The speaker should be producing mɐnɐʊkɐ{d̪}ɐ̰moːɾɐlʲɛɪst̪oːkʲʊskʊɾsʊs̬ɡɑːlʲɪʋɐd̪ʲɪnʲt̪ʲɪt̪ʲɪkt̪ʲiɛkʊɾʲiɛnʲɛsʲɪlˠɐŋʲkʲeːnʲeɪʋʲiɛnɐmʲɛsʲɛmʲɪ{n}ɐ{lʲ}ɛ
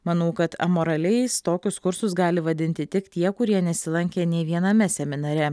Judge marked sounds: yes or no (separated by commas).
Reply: no, yes, no